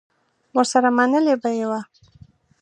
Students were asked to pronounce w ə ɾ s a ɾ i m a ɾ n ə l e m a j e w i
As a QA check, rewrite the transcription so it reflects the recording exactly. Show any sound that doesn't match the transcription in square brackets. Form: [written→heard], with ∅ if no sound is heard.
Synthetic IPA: w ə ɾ s a ɾ [i→a] m a [ɾ→∅] n ə l e [m→b] a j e w [i→a]